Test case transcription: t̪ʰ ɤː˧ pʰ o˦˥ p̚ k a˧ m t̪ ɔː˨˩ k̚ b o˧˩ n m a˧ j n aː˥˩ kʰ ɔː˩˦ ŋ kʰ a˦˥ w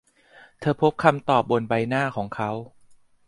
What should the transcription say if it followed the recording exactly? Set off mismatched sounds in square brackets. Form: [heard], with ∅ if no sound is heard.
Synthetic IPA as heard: t̪ʰ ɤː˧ pʰ o˦˥ p̚ [kʰ] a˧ m t̪ ɔː˨˩ [p̚] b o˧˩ n [b] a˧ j n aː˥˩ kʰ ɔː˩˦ ŋ kʰ a˦˥ w